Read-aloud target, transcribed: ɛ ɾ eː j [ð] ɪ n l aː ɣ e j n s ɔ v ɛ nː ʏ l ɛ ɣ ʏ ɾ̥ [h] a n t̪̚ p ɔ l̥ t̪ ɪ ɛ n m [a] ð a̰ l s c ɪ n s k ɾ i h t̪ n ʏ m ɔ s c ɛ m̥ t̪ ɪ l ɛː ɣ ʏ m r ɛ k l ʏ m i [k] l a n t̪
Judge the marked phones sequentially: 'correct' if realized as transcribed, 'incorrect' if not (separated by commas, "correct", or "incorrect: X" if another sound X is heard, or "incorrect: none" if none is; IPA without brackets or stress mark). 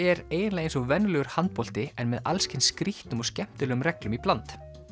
correct, correct, incorrect: ɛ, incorrect: p